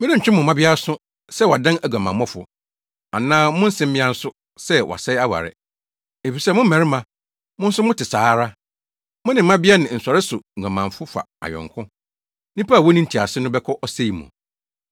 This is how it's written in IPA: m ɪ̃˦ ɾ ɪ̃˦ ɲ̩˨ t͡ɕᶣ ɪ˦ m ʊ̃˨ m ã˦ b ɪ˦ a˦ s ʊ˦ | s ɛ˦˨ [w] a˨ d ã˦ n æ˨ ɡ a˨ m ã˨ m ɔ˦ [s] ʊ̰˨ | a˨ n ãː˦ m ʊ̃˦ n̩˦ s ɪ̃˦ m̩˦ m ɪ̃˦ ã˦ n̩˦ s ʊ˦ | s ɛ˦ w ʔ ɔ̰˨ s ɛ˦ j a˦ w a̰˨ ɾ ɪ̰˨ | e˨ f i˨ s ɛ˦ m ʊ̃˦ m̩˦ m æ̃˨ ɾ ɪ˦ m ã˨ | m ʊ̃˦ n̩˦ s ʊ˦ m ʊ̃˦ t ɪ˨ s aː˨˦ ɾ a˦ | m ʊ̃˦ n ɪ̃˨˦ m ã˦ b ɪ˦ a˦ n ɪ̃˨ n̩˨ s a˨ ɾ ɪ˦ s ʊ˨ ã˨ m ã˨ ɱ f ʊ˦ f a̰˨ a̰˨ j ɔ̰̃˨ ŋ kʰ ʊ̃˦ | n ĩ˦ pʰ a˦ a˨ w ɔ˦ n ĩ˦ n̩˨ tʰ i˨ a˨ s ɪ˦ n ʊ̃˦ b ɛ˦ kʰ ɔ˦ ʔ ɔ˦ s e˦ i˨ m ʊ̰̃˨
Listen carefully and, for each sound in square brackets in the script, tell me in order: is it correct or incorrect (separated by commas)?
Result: correct, incorrect